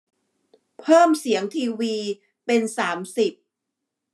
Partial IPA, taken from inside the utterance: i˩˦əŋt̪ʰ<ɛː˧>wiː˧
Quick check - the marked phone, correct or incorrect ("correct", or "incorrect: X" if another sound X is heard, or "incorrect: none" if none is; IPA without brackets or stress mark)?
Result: incorrect: iː˧